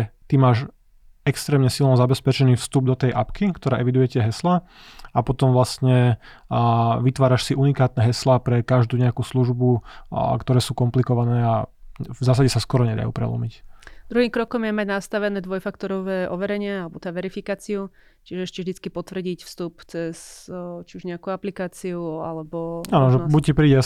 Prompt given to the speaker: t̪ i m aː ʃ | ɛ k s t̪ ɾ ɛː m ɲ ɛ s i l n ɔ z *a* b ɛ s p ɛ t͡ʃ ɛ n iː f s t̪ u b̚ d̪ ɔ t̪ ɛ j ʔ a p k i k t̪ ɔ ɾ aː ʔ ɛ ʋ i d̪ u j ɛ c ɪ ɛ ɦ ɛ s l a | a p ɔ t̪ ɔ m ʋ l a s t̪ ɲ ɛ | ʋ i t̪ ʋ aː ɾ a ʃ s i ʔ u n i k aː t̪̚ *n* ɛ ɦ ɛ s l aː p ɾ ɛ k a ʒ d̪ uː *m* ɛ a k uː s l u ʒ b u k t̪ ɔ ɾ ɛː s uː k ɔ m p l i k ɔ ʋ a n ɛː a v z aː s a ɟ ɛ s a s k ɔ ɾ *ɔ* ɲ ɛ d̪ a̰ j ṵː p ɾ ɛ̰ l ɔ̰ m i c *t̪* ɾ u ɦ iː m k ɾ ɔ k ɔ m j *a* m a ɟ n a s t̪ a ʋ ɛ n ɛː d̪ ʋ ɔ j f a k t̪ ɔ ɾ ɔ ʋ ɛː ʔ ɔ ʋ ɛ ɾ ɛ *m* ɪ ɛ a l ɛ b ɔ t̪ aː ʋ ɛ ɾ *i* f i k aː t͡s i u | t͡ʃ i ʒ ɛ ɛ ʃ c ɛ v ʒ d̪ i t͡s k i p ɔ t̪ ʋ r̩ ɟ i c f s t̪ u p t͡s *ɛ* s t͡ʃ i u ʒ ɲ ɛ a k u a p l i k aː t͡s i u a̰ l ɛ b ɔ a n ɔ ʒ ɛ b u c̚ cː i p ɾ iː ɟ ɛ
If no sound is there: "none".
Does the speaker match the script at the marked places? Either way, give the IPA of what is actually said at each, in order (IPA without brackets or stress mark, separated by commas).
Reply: a, n, ɲ, ɔ, d̪, ɛ, ɲ, i, ɛ